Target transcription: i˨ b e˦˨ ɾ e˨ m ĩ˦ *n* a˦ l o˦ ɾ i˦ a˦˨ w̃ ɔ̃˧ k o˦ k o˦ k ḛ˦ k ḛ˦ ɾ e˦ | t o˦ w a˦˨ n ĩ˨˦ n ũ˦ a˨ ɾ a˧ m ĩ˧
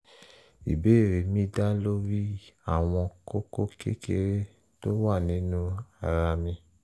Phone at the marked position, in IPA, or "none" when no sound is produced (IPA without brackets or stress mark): d